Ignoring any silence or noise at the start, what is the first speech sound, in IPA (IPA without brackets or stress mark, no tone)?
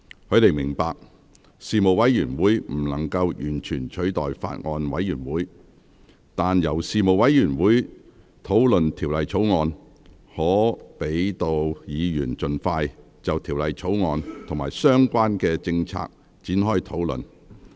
h